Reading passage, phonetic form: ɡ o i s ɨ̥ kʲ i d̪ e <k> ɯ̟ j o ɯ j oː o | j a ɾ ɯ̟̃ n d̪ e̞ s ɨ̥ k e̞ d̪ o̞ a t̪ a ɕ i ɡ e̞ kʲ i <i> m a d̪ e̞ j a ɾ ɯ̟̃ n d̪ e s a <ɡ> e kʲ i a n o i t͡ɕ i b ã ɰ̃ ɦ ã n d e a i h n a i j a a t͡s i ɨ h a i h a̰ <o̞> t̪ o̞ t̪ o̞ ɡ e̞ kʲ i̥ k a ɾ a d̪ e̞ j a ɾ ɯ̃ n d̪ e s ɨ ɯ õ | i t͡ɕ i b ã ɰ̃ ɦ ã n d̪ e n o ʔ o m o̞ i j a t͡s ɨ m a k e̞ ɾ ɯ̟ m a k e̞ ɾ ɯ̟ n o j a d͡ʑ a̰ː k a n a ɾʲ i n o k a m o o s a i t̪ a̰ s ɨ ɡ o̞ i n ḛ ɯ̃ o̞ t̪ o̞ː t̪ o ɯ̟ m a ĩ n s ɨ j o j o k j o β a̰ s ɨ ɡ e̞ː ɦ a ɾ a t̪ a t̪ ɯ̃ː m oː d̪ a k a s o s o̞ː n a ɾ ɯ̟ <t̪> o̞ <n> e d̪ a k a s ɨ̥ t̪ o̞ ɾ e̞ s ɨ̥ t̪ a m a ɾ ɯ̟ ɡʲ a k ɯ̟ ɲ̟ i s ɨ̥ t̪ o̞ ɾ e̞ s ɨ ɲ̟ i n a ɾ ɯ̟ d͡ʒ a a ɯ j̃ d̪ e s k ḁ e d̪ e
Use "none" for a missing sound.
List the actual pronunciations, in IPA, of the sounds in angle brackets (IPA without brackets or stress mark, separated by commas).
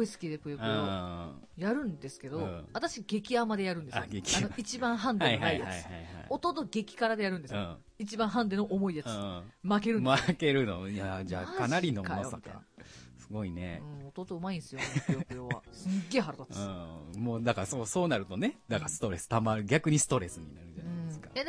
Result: p, a, ɡ, o̞, t̪, n